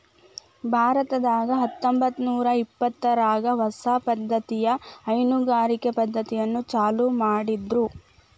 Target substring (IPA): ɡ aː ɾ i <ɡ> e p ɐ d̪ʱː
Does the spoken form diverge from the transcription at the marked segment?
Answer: yes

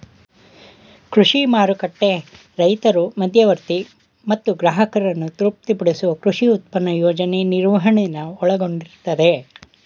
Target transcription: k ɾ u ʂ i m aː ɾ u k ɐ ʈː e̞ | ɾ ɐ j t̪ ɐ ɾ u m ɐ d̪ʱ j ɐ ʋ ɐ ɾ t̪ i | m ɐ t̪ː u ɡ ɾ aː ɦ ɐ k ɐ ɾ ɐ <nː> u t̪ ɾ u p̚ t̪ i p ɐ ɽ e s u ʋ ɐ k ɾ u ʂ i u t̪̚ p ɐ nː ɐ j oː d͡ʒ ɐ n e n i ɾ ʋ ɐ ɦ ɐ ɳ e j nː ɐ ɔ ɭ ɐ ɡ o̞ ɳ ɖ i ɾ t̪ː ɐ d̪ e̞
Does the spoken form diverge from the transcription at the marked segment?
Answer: no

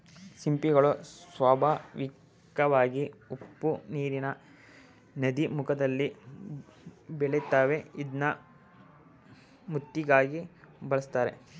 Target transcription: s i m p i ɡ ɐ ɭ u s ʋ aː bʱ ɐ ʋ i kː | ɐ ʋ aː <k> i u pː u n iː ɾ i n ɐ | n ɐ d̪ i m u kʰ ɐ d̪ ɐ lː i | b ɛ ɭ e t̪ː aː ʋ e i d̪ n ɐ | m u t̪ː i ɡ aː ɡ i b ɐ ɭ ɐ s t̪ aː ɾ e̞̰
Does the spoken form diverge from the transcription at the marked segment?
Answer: yes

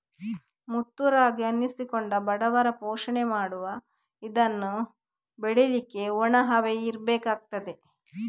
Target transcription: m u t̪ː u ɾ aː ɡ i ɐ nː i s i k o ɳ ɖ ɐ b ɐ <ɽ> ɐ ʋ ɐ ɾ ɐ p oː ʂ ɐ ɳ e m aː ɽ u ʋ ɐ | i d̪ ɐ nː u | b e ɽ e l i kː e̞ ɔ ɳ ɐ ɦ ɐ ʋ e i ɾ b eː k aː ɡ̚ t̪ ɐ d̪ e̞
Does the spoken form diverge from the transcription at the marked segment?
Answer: no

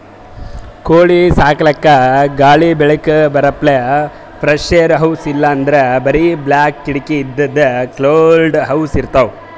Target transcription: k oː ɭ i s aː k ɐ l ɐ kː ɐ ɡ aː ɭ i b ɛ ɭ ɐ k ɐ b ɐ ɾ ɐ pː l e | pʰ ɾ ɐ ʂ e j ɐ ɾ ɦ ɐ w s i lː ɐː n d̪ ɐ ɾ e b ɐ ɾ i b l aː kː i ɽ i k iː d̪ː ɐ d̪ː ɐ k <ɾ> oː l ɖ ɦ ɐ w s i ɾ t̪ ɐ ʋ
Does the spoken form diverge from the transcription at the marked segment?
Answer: yes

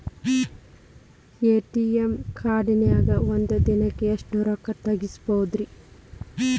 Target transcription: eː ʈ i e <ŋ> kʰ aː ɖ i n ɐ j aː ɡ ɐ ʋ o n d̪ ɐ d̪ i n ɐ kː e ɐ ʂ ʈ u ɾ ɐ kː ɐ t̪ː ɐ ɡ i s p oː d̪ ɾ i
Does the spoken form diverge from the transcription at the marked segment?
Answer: yes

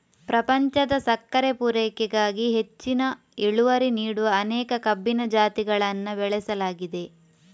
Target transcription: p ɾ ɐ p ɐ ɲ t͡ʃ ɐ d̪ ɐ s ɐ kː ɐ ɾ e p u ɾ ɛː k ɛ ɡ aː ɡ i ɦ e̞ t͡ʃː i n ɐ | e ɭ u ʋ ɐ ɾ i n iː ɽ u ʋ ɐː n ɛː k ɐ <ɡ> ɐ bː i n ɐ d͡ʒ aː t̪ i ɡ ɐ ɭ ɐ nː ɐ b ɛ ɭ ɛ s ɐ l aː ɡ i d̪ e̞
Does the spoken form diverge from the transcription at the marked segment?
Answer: yes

